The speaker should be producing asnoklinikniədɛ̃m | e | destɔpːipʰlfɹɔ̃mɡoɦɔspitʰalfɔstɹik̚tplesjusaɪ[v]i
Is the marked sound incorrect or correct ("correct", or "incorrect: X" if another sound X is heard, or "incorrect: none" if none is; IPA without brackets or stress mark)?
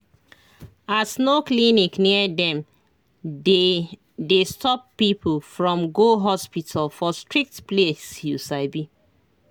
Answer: incorrect: b